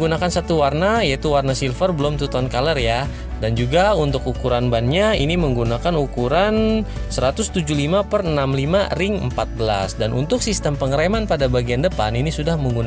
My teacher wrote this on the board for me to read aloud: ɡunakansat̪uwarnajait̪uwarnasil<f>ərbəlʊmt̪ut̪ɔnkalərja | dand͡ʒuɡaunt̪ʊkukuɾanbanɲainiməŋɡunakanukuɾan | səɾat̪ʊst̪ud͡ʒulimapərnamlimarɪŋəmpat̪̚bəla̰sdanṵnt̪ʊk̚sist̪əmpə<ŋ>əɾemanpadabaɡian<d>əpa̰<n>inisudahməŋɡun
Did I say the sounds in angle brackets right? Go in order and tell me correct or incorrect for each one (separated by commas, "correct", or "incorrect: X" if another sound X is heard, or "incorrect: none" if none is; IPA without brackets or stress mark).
correct, correct, correct, correct